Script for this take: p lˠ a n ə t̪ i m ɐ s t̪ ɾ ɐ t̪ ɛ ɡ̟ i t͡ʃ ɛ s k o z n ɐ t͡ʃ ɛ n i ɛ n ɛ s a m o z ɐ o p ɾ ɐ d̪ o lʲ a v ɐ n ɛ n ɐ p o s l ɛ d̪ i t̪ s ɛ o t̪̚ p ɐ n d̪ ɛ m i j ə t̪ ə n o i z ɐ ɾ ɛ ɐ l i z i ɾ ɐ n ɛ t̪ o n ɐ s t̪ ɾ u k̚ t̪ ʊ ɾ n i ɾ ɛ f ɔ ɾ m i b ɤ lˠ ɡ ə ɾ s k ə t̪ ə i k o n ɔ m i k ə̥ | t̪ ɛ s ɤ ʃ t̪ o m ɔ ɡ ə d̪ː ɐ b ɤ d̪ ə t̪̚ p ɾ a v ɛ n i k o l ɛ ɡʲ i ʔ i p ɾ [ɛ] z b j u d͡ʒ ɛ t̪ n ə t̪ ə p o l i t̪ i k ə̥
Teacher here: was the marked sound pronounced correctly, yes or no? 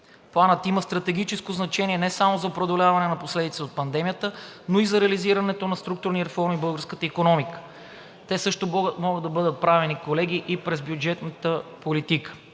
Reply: yes